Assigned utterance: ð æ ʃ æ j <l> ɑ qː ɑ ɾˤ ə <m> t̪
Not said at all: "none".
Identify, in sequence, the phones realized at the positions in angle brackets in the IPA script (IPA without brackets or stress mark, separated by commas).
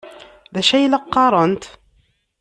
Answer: l, n